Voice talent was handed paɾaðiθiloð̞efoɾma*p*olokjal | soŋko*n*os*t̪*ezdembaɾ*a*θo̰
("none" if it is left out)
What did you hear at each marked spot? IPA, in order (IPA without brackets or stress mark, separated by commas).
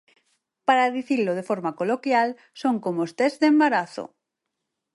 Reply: k, m, t̪, a